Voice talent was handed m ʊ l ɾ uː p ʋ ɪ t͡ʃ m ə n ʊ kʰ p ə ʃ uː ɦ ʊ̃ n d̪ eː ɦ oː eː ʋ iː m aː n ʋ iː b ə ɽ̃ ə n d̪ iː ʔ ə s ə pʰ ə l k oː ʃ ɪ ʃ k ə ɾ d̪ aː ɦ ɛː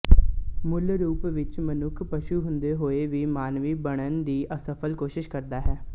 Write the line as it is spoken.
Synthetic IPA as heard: m ʊ l ɾ uː p ʋ ɪ t͡ʃ m ə n ʊ kʰ p ə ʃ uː ɦ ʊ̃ n d̪ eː ɦ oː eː ʋ iː m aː n ʋ iː b ə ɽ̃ ə n d̪ iː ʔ ə s ə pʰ ə l k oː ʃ ɪ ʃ k ə ɾ d̪ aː ɦ ɛː